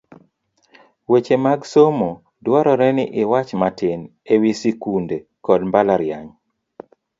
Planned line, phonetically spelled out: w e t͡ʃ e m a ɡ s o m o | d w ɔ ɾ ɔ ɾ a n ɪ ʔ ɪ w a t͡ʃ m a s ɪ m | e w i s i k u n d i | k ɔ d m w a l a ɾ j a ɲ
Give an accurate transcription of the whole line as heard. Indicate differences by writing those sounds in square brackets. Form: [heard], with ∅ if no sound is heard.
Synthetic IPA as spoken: w e t͡ʃ e m a ɡ s o m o | d w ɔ ɾ ɔ ɾ [ɛ] n ɪ ʔ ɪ w a t͡ʃ m a [t] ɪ [n] | e w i s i k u n d [e] | k ɔ d m [b] a l a ɾ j a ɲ